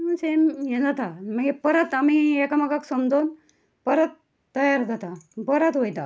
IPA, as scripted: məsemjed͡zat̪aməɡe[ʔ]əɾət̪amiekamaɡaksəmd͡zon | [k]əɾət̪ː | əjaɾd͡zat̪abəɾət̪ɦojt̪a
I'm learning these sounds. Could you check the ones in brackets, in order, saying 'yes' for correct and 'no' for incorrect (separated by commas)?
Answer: no, no